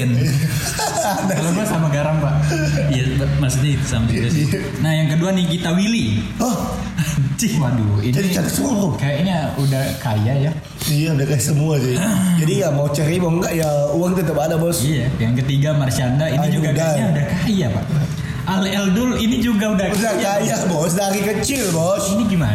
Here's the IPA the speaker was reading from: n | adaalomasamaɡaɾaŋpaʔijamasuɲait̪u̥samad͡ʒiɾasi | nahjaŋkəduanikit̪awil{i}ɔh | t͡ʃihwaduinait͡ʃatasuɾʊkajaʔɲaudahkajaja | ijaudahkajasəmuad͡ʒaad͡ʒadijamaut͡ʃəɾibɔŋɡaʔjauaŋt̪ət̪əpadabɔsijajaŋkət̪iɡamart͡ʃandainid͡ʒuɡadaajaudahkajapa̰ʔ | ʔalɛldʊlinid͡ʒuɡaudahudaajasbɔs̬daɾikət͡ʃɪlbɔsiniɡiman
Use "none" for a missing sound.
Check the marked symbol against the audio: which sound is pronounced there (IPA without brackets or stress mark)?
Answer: i